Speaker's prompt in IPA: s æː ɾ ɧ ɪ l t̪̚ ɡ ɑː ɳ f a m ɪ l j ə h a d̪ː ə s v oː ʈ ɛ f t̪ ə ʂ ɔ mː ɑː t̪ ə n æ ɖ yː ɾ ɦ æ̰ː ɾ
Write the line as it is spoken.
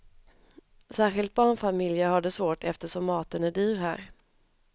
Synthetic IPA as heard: s æː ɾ ɧ ɪ l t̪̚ b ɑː ɳ f a m ɪ l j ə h a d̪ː ə s v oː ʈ ɛ f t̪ ə ʂ ɔ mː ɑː t̪ ə n æ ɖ yː ɾ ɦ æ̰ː ɾ

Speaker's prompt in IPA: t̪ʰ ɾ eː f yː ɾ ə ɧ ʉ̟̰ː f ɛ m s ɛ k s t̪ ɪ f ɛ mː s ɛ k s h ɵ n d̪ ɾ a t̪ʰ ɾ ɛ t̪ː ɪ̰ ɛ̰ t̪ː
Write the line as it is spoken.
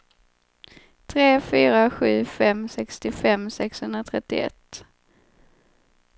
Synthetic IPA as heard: t̪ʰ ɾ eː f yː ɾ a ɧ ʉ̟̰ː f ɛ m s ɛ k s t̪ ɪ f ɛ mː s ɛ k s h ɵ n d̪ ɾ a t̪ʰ ɾ ɛ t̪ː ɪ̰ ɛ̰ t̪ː

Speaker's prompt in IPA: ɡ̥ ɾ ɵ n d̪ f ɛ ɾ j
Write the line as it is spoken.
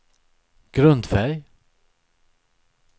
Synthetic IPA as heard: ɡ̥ ɾ ɵ n d̪ f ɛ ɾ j

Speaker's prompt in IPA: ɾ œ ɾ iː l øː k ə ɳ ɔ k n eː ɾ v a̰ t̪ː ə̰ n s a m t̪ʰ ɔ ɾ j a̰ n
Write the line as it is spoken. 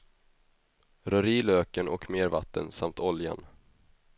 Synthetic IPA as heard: ɾ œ ɾ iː l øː k ə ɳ ɔ k m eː ɾ v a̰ t̪ː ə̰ n s a m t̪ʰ ɔ l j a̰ n

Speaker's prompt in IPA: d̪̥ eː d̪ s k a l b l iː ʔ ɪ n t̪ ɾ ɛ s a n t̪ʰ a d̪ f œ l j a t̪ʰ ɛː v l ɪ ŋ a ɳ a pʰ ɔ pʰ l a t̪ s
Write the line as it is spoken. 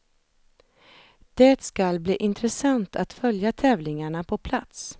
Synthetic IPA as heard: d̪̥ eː t̪ s k a l b l iː ʔ ɪ n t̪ ɾ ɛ s a n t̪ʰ a t̪ f œ l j a t̪ʰ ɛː v l ɪ ŋ a ɳ a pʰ ɔ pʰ l a t̪ s

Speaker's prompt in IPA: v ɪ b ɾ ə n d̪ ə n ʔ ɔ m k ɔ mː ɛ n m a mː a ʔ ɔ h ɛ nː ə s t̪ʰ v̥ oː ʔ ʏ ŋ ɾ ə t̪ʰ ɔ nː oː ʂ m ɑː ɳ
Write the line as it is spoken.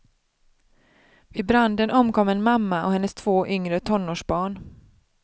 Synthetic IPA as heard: v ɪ b ɾ a n d̪ ə n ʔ ɔ m k ɔ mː ɛ n m a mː a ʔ ɔ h ɛ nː ə s t̪ʰ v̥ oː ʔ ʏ ŋ ɾ ə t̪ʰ ɔ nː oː ʂ b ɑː ɳ

